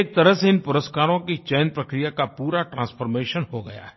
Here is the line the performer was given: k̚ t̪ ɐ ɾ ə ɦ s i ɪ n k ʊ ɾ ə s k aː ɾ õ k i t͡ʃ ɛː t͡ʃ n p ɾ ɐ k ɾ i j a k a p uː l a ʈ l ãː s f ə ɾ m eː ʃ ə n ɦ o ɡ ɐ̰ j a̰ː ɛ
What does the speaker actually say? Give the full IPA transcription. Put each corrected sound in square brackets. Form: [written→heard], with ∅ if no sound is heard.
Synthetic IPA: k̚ t̪ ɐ ɾ ə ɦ s [i→e] ɪ n [k→p] ʊ ɾ ə s k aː ɾ õ k i t͡ʃ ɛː [t͡ʃ→∅] n p ɾ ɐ k ɾ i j a k a p uː [l→ɾ] a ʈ [l→ɾ] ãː s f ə ɾ m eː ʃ ə n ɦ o ɡ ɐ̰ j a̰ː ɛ